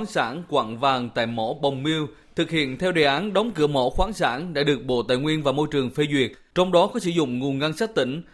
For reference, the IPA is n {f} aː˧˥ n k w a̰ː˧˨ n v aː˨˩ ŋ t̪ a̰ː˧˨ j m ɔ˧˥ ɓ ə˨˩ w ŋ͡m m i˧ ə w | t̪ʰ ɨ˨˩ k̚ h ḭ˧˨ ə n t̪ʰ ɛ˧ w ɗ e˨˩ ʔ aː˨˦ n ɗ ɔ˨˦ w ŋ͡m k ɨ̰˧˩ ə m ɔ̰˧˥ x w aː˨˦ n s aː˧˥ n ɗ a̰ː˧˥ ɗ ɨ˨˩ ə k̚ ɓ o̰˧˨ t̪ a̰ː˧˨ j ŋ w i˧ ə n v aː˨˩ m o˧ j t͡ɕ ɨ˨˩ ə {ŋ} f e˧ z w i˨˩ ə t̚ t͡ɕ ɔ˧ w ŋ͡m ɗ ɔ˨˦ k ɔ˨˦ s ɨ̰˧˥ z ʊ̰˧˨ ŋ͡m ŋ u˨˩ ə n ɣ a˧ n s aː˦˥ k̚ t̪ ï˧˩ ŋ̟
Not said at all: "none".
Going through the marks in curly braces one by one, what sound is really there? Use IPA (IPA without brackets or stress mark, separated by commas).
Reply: s, ŋ